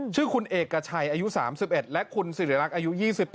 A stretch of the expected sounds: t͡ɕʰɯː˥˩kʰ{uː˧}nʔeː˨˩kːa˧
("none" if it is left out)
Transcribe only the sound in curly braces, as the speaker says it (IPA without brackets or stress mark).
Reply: u˧